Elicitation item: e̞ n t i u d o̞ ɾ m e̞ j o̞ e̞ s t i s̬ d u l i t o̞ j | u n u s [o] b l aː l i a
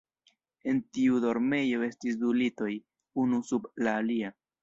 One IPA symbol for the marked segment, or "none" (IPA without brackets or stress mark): u